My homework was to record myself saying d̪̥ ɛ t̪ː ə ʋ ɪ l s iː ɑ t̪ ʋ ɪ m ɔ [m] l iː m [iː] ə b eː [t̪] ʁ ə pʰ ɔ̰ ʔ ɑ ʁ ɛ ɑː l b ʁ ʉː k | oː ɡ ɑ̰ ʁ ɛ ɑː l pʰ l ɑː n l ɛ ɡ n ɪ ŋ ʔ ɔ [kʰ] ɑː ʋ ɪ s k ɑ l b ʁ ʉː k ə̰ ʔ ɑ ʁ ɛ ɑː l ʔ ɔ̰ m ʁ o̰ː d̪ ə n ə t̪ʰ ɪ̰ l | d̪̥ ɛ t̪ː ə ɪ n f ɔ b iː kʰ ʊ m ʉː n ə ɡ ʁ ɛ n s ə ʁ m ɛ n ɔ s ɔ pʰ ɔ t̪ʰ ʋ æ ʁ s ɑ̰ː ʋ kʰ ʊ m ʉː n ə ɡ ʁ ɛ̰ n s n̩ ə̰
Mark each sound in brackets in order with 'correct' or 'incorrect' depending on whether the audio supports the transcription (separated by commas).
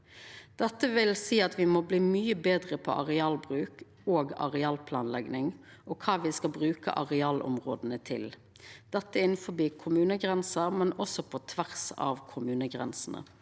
incorrect, incorrect, incorrect, correct